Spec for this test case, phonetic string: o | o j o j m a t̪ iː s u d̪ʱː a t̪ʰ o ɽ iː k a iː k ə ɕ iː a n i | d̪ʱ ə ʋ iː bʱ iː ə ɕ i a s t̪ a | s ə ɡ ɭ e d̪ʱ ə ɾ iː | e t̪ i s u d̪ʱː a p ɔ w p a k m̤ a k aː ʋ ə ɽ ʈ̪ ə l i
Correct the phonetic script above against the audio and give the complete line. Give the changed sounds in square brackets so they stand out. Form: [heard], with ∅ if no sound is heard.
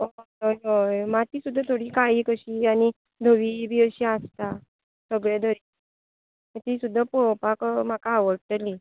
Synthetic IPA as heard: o | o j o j m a t̪ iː s u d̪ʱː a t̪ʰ o ɽ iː k a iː k ə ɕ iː a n i | d̪ʱ ə ʋ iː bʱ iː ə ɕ i a s t̪ a | s ə ɡ ɭ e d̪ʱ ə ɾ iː | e t̪ i s u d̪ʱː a p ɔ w p a k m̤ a k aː ʋ ə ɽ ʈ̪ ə l i